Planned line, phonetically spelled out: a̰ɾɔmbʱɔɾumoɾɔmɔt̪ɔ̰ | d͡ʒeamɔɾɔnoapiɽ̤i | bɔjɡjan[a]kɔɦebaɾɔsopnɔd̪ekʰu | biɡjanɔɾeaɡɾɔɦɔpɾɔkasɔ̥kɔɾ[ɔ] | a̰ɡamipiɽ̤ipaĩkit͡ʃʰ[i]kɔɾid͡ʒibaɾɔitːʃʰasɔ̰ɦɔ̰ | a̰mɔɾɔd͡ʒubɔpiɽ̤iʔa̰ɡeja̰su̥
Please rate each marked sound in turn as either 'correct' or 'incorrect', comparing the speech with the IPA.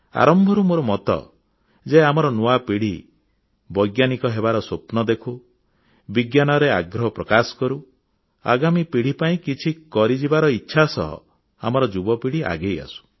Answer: incorrect, incorrect, correct

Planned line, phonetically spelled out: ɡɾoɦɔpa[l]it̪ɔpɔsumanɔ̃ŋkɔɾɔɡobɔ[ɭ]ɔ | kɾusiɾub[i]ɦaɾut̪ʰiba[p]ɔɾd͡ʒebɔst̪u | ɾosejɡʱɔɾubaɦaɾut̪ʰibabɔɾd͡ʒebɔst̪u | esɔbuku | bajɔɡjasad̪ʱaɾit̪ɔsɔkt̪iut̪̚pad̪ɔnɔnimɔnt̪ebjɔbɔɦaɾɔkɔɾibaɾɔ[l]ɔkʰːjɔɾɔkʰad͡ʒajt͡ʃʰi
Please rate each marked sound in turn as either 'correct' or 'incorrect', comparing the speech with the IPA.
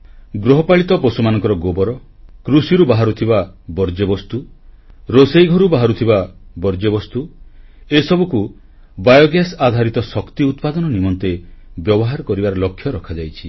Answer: incorrect, incorrect, incorrect, incorrect, correct

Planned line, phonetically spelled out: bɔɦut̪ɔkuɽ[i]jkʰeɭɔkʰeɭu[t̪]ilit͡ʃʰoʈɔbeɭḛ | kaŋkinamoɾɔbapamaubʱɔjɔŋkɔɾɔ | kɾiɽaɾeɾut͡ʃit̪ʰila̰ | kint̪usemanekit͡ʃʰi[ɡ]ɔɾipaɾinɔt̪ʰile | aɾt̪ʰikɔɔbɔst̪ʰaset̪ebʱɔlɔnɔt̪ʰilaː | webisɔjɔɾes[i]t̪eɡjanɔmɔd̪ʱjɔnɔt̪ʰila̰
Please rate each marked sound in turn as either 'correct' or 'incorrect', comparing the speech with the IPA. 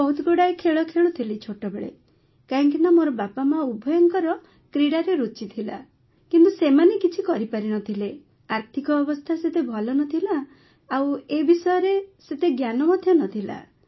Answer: incorrect, incorrect, incorrect, incorrect

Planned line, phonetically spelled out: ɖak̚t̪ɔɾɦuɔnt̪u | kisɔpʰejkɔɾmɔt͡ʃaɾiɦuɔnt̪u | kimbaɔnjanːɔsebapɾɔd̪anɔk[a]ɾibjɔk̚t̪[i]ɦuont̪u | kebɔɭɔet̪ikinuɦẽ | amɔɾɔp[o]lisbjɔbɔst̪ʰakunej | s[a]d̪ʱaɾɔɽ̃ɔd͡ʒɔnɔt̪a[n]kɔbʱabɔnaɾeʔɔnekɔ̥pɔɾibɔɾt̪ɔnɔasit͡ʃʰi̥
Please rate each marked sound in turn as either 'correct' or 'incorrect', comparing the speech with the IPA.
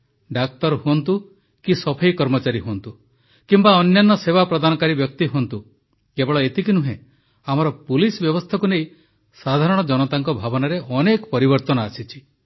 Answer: correct, correct, incorrect, correct, incorrect

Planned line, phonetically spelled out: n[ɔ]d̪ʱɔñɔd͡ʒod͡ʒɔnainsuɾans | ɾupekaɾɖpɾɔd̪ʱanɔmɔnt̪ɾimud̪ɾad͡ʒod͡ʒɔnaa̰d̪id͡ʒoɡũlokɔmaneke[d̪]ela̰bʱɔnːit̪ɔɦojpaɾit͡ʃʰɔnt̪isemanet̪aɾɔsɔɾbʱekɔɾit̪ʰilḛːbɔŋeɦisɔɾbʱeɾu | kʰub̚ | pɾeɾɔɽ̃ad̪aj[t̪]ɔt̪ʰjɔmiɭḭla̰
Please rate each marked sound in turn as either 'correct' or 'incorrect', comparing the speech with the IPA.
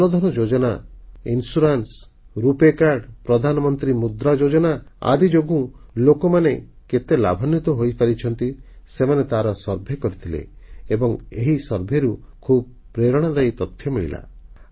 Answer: correct, incorrect, correct

